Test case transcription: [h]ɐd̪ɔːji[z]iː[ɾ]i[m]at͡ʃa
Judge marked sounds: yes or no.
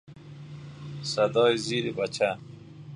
no, yes, yes, no

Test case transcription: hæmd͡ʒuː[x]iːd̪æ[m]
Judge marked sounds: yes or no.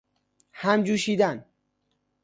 no, no

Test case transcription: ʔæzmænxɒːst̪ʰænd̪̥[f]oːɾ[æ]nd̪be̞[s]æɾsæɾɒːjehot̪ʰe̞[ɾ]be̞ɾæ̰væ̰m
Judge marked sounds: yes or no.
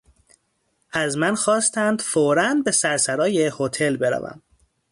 yes, yes, yes, no

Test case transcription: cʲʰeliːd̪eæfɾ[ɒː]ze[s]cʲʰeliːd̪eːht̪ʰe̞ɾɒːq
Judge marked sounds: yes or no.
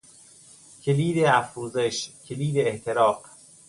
no, no

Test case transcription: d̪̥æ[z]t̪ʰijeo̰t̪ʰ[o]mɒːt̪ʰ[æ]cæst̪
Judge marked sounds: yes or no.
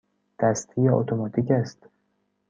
no, yes, no

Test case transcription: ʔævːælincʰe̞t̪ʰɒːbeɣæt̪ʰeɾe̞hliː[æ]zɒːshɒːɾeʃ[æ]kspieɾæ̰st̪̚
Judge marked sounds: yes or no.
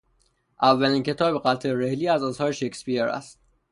yes, no

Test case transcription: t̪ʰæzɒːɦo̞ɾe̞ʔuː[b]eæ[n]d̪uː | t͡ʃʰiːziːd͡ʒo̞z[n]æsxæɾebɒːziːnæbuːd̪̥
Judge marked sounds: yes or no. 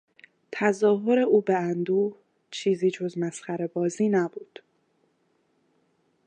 yes, yes, no

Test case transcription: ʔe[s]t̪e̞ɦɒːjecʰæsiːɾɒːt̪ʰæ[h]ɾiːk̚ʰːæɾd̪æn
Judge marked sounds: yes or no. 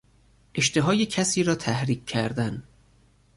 no, yes

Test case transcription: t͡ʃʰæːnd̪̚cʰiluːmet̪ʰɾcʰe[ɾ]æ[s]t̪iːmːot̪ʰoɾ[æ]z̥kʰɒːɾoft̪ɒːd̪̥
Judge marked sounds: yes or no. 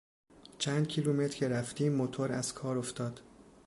yes, no, yes

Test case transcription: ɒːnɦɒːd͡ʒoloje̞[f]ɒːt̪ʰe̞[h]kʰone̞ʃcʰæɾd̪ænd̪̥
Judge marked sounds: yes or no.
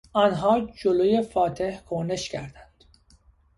yes, yes

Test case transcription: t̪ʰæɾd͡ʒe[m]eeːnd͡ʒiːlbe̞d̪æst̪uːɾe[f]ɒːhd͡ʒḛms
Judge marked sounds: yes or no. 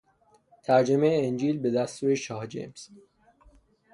yes, no

